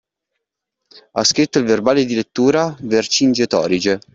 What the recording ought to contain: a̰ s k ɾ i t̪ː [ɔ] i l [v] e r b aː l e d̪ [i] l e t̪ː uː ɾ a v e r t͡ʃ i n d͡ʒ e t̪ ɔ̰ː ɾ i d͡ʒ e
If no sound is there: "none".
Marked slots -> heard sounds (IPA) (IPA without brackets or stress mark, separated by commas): o, v, i